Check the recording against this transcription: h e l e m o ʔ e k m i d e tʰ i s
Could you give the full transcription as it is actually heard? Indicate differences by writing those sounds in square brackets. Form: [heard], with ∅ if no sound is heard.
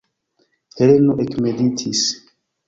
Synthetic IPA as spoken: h e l e [n] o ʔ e k m [e] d [i] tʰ i s